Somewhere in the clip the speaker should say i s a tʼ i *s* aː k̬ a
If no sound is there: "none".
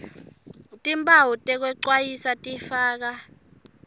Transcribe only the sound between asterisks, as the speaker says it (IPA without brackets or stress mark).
f